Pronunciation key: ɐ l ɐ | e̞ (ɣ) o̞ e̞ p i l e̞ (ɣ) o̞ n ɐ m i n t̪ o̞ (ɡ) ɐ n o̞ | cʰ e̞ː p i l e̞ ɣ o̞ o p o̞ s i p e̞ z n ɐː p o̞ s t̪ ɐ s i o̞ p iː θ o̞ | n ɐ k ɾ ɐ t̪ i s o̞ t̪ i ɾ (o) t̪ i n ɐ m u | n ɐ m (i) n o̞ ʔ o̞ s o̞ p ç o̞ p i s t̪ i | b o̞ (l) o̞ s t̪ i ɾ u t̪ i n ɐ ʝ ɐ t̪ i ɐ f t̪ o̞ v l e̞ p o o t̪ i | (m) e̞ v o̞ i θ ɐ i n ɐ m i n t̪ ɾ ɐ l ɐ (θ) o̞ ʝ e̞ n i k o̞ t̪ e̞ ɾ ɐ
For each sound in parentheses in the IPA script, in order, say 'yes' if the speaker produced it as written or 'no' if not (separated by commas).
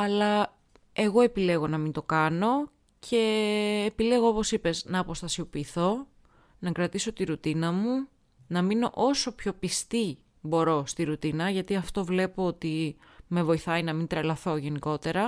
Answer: yes, yes, no, no, yes, no, yes, yes